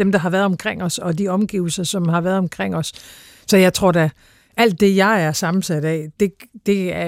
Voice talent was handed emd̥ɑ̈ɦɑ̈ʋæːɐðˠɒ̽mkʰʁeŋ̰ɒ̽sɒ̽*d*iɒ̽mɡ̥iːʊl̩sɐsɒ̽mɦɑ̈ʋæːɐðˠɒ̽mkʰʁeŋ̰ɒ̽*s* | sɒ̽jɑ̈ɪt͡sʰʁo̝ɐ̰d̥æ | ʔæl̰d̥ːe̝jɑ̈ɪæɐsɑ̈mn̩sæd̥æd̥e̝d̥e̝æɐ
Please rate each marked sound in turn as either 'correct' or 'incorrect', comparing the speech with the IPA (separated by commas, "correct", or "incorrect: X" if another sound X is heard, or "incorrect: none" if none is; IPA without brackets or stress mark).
correct, correct